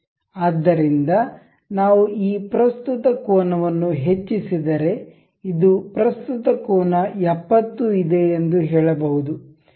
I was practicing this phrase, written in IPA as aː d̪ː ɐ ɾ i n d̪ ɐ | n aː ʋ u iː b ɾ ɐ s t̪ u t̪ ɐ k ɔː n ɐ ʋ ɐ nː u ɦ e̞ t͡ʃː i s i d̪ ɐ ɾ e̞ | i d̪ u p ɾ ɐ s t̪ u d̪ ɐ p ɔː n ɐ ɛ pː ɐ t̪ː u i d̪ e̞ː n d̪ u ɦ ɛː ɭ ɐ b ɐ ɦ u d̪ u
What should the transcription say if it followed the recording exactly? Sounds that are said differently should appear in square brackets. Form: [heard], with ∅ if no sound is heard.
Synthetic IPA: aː d̪ː ɐ ɾ i n d̪ ɐ | n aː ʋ u iː [p] ɾ ɐ s t̪ u t̪ ɐ k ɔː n ɐ ʋ ɐ nː u ɦ e̞ t͡ʃː i s i d̪ ɐ ɾ e̞ | i d̪ u p ɾ ɐ s t̪ u [t̪] ɐ [k] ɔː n ɐ ɛ pː ɐ t̪ː u i d̪ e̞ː n d̪ u ɦ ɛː ɭ ɐ b ɐ ɦ u d̪ u